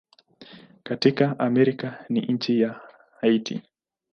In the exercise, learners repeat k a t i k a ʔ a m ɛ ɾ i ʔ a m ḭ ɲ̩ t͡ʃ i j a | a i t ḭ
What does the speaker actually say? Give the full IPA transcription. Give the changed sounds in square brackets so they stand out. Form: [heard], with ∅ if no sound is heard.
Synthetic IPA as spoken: k a t i k a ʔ a m ɛ ɾ i [k] a [n] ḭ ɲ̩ t͡ʃ i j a | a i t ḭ